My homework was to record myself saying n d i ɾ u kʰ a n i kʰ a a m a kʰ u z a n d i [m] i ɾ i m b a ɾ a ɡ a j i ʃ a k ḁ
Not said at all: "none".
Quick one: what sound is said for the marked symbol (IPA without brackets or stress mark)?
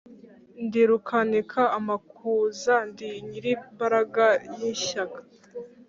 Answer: ɲ